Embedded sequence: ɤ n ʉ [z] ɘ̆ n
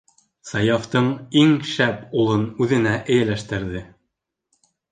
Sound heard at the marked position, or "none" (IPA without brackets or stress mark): ð